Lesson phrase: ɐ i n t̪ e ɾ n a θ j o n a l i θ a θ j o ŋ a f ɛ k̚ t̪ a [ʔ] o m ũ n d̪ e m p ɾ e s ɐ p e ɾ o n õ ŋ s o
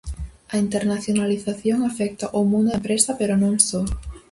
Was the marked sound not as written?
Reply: no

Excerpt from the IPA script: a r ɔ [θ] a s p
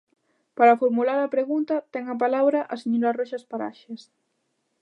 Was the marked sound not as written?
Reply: yes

